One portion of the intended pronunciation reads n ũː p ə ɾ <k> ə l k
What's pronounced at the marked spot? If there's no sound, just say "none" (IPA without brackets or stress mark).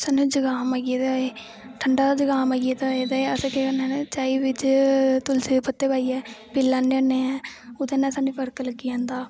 k